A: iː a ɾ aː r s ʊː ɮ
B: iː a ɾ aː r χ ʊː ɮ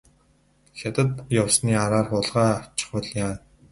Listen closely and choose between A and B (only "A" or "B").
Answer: B